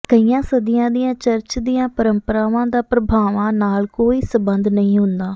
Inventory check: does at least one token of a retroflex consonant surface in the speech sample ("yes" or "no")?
no